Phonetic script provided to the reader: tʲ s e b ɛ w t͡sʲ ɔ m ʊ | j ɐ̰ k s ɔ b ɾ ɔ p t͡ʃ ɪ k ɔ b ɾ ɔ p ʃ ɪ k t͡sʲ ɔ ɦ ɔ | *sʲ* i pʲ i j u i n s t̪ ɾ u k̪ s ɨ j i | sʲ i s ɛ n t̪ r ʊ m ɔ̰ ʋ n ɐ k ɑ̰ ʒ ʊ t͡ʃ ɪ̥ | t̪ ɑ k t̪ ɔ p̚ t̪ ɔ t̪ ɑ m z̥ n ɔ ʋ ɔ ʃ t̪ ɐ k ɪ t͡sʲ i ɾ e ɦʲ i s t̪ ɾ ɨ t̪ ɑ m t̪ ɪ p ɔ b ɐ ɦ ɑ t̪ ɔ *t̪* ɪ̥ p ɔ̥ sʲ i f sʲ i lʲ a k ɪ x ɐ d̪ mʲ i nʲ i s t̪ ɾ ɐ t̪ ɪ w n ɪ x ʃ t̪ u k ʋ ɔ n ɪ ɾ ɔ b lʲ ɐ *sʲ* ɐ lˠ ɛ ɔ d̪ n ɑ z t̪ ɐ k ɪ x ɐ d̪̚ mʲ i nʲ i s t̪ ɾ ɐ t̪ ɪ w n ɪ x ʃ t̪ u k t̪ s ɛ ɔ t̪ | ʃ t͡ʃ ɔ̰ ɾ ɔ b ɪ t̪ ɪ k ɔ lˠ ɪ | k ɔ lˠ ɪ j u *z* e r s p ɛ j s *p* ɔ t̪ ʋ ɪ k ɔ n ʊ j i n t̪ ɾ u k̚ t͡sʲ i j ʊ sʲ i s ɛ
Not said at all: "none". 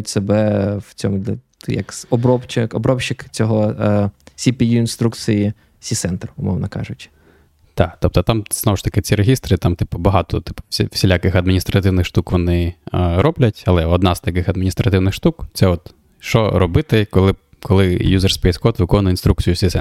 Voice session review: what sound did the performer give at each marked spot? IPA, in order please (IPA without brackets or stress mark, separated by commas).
sʲ, t̪, tʲ, z, k